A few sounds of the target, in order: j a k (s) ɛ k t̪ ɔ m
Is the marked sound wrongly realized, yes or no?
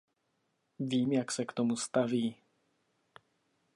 no